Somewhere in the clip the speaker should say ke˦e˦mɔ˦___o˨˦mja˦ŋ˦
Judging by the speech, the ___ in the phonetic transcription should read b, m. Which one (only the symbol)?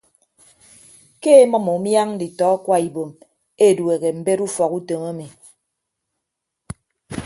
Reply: m